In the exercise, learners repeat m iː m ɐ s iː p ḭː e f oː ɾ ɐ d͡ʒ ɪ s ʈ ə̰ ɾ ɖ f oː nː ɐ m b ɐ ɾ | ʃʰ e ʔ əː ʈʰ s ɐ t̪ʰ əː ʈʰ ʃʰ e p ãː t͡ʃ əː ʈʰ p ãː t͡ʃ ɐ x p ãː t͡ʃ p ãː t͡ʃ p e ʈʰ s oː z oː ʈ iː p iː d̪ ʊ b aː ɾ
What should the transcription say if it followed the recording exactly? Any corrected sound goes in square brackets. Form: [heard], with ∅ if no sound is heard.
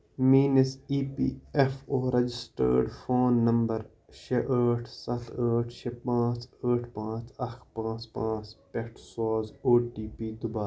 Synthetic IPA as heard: m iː [n] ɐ s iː p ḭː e f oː ɾ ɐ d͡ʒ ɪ s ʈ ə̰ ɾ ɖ f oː nː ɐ m b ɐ ɾ | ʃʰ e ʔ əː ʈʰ s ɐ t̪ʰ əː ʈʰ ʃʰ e p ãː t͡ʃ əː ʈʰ p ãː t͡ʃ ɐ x p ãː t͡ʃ p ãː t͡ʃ p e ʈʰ s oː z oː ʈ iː p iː d̪ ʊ b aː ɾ